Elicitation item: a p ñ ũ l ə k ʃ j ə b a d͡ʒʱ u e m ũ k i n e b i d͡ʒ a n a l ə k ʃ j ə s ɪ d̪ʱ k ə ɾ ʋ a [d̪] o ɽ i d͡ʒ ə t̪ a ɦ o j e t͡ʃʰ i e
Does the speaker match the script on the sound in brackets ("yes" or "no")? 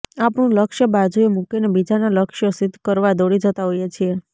yes